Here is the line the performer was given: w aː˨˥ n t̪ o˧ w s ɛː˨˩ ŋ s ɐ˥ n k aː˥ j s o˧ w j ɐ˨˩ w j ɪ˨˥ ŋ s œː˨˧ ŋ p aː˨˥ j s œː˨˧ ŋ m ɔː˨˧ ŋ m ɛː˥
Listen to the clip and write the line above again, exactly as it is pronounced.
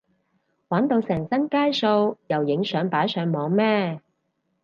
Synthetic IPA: w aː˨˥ n t̪ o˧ w s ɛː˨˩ ŋ s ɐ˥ n k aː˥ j s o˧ w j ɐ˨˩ w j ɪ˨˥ ŋ s œː˨˧ ŋ p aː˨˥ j s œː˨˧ ŋ m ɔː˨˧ ŋ m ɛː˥

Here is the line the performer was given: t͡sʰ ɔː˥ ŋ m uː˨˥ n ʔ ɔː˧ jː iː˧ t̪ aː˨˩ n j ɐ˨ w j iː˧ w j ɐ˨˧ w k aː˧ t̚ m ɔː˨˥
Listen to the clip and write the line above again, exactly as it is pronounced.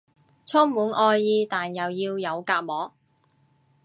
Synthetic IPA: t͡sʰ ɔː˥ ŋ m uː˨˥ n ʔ ɔː˧ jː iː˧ t̪ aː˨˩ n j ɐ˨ w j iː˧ w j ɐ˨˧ w k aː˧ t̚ m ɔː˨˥

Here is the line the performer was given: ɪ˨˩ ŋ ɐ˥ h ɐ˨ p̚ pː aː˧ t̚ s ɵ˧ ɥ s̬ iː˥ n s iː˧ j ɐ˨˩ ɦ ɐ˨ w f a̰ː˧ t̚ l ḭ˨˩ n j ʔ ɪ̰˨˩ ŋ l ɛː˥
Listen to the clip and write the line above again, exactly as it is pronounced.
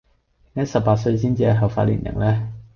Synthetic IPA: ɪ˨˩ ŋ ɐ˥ s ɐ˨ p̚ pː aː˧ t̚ s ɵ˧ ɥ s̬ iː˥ n t͡s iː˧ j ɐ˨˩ ɦ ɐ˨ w f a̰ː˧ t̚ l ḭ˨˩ n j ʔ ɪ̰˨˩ ŋ l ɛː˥

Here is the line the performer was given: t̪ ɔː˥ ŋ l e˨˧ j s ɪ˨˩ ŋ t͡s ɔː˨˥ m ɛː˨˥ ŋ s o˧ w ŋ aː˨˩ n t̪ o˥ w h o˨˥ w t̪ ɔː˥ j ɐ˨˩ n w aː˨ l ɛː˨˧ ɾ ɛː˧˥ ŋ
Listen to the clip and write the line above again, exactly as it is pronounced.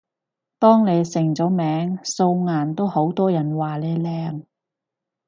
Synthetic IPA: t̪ ɔː˥ ŋ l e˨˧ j s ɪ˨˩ ŋ t͡s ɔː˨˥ m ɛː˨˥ ŋ s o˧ w ŋ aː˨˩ n t̪ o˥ w h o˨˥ w t̪ ɔː˥ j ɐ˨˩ n w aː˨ l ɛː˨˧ l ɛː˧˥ ŋ

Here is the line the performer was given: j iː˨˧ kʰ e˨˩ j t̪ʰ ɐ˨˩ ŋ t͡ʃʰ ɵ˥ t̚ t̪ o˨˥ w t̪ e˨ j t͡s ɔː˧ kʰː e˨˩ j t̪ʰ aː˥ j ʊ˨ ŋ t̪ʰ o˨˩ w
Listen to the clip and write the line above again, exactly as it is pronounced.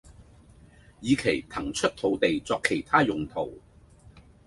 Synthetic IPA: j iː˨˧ kʰ e˨˩ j t̪ʰ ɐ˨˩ ŋ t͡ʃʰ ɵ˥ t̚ t̪ʰ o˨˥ w t̪ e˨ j t͡s ɔː˧ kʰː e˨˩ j t̪ʰ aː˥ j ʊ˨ ŋ t̪ʰ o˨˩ w

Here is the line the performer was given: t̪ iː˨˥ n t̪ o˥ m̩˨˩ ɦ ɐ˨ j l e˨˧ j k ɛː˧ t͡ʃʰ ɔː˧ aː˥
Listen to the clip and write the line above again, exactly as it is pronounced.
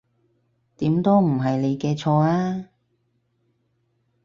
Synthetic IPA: t̪ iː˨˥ m t̪ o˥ m̩˨˩ ɦ ɐ˨ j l e˨˧ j k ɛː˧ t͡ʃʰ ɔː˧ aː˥

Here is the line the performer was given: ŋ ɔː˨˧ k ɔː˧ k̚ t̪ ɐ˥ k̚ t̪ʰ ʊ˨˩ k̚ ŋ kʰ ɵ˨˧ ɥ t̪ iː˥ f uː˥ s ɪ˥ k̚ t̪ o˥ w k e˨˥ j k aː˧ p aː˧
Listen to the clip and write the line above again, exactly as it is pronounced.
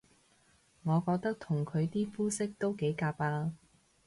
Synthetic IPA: ŋ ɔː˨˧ k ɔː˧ k̚ t̪ ɐ˥ k̚ t̪ʰ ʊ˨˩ ŋ kʰ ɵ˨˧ ɥ t̪ iː˥ f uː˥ s ɪ˥ k̚ t̪ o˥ w k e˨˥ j k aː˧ p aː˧

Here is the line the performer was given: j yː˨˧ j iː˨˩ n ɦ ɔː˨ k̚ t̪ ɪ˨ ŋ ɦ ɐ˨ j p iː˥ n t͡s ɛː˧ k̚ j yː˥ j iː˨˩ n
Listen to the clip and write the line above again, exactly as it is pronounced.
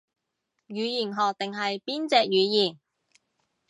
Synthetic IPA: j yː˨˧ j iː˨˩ n ɦ ɔː˨ k̚ t̪ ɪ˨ ŋ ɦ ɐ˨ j p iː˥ n t͡s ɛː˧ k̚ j yː˨˧ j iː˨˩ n

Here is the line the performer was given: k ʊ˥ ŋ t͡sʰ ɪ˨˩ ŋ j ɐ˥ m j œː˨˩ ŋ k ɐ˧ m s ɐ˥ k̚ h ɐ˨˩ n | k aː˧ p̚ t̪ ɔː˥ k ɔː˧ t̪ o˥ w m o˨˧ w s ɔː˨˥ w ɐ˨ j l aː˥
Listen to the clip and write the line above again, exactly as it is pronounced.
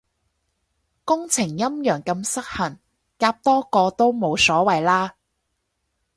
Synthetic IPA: k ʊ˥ ŋ t͡sʰ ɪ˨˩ ŋ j ɐ˥ m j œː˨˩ ŋ k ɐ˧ m s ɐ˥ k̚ h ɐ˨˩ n | k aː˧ p̚ t̪ ɔː˥ k ɔː˧ t̪ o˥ w m o˨˧ w s ɔː˨˥ w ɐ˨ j l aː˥

